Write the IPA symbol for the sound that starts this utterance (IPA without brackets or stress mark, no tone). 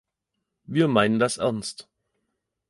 v